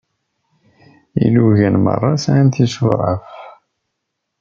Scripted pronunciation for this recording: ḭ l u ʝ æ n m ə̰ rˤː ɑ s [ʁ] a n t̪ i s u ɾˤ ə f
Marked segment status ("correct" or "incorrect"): incorrect